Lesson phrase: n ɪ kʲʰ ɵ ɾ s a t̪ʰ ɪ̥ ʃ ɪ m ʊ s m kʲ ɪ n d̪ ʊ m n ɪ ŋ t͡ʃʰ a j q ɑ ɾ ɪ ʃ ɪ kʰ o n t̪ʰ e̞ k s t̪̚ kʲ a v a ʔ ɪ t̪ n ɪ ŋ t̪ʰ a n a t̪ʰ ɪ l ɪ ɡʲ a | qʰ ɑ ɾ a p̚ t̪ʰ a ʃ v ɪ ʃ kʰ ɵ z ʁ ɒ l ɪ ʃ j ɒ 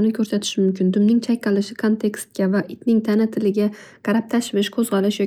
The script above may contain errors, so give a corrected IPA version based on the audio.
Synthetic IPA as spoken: n ɪ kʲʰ ɵ ɾ s a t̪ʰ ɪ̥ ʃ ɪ m ʊ m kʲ ɪ n d̪ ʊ m n ɪ ŋ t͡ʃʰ a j q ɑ l ɪ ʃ ɪ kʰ o n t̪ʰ e̞ k s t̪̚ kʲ a v a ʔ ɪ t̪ n ɪ ŋ t̪ʰ a n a t̪ʰ ɪ l ɪ ɡʲ a | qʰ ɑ ɾ a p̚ t̪ʰ a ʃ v ɪ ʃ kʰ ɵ z ʁ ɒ l ɪ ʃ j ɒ